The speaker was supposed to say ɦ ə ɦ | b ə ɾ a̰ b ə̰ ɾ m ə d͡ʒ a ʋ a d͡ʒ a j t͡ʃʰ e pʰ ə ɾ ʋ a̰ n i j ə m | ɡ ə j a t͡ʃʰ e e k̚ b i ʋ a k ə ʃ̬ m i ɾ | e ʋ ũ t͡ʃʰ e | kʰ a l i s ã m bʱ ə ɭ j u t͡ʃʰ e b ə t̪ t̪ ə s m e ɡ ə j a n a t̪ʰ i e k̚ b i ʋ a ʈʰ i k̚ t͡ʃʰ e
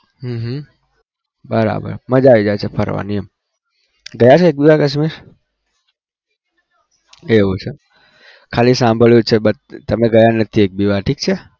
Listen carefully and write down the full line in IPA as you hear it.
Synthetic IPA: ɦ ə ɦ | b ə ɾ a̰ b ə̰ ɾ m ə d͡ʒ a ʋ i d͡ʒ a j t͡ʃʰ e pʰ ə ɾ ʋ a̰ n i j ə m | ɡ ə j a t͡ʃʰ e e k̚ b i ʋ a k ə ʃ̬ m i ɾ | e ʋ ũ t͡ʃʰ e | kʰ a l i s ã m bʱ ə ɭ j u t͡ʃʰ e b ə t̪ t̪ ə m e ɡ ə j a n ə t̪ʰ i e k̚ b i ʋ a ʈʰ i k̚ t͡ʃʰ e